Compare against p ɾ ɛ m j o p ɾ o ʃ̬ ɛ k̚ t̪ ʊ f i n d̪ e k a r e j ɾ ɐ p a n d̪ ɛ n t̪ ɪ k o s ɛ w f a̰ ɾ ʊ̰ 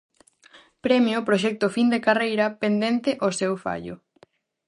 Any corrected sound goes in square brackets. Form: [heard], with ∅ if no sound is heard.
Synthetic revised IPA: p ɾ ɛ m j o p ɾ o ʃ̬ ɛ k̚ t̪ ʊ f i n d̪ e k a r e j ɾ ɐ p [e] n d̪ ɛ n t̪ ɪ [ʔ] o s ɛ w f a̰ [ʎ] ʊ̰